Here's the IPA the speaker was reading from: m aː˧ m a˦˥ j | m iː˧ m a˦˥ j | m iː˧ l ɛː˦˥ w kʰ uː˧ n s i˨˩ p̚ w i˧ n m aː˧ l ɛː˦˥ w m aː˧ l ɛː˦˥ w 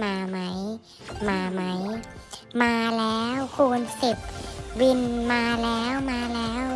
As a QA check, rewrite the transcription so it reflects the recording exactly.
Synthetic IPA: m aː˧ m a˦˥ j | m aː˧ m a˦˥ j | m aː˧ l ɛː˦˥ w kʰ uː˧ n s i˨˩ p̚ w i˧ n m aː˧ l ɛː˦˥ w m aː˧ l ɛː˦˥ w